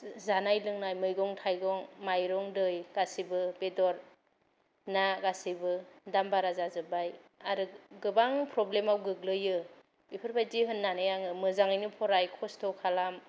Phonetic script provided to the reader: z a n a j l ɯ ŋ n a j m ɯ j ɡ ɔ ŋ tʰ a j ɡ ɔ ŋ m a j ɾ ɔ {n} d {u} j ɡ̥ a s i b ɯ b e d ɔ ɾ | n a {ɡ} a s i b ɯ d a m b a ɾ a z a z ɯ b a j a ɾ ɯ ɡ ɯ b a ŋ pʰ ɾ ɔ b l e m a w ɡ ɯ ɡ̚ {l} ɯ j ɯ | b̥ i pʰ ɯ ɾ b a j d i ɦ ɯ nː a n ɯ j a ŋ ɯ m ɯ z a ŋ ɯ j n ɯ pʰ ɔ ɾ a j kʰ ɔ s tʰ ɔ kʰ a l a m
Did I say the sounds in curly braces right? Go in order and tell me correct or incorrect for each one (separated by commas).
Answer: incorrect, incorrect, correct, correct